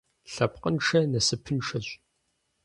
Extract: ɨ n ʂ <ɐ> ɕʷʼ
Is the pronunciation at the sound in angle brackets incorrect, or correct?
correct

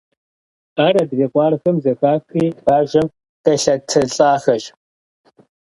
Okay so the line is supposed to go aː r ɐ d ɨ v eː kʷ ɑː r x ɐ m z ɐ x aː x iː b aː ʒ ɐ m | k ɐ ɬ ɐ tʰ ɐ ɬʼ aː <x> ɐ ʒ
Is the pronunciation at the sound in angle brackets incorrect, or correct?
correct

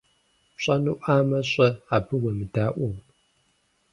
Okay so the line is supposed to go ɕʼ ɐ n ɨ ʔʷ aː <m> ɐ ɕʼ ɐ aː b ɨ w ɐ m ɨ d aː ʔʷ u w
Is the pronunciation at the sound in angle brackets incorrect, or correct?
correct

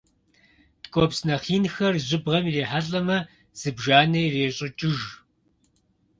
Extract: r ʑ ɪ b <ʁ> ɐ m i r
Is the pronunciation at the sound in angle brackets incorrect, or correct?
correct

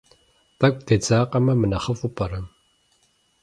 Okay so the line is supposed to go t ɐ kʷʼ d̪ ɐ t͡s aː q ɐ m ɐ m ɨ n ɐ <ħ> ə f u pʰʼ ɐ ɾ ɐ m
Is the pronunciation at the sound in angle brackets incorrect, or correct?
incorrect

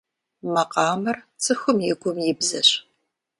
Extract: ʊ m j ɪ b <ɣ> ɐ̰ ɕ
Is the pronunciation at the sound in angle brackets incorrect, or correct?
incorrect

